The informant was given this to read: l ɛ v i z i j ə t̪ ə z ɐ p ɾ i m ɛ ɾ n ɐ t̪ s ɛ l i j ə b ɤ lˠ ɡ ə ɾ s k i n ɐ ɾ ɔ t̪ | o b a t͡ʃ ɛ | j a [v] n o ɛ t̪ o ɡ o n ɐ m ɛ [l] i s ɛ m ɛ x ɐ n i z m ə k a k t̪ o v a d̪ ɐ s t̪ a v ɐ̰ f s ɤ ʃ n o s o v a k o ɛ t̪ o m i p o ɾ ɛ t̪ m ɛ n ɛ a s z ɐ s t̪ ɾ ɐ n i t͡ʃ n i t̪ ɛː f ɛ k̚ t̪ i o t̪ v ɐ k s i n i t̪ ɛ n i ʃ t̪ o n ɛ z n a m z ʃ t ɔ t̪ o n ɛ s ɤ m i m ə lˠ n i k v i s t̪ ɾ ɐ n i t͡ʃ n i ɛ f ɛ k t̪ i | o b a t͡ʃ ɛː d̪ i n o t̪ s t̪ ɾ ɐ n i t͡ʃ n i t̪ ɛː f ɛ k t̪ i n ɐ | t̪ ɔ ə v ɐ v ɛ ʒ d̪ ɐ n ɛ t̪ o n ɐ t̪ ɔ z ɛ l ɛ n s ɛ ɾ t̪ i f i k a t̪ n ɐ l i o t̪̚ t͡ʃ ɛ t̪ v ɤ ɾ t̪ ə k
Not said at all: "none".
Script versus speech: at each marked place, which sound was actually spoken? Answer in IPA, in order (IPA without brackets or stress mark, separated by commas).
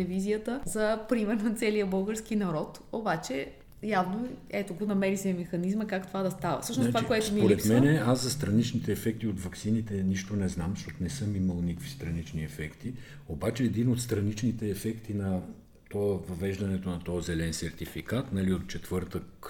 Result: v, ɾ